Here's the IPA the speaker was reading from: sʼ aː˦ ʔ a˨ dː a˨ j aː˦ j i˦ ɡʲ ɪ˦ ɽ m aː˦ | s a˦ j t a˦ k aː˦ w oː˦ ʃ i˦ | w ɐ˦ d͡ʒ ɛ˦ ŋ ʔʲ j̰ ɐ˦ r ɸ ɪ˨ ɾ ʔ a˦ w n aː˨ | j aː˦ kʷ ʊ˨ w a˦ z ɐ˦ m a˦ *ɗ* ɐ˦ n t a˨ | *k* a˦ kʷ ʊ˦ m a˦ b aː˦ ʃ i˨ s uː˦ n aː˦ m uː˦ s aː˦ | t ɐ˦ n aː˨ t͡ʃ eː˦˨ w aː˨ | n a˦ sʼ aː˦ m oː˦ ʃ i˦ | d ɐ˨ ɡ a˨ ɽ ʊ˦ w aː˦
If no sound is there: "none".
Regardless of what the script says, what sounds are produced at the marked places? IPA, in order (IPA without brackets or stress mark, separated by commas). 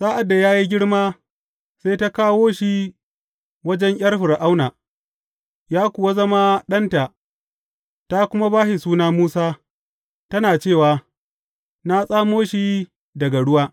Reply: ɗ, t